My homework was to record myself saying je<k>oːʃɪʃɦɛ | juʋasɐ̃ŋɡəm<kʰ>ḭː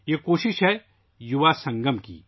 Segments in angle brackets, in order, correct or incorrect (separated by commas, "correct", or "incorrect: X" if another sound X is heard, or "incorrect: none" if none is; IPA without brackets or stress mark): correct, incorrect: k